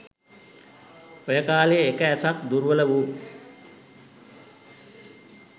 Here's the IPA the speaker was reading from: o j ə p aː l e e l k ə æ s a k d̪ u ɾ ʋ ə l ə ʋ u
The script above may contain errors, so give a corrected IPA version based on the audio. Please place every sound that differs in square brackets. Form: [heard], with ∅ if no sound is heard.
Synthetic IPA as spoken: o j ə [k] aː l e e [∅] k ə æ s a k d̪ u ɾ ʋ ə l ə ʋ u